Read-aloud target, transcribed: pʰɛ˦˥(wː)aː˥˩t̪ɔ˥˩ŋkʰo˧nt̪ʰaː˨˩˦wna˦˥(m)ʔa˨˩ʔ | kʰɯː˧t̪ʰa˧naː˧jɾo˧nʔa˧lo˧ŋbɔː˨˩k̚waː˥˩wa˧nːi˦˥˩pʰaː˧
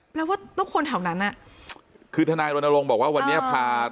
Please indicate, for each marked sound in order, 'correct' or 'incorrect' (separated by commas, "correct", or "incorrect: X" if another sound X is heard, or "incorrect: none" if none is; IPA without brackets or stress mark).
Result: incorrect: w, incorrect: n